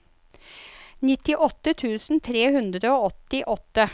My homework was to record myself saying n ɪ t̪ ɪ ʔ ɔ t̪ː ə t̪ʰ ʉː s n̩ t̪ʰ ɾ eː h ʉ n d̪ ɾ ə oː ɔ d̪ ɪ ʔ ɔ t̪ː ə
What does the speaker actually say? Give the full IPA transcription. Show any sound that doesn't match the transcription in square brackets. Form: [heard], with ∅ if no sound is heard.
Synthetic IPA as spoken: n ɪ t̪ ɪ ʔ ɔ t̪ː ə t̪ʰ ʉː s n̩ t̪ʰ ɾ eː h ʉ n d̪ ɾ ə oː ɔ [t̪] ɪ ʔ ɔ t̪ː ə